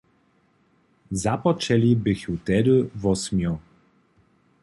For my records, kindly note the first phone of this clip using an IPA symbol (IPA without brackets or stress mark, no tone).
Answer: z